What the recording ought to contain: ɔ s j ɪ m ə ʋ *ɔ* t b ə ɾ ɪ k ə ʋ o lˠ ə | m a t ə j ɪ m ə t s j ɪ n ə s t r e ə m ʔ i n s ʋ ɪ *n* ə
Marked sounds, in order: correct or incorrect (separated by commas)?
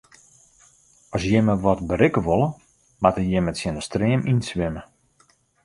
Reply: correct, incorrect